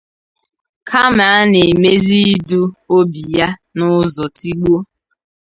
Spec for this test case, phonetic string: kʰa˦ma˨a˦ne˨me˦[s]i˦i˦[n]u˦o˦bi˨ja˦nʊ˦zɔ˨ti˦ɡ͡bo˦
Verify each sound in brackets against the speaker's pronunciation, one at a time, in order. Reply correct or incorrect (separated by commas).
incorrect, incorrect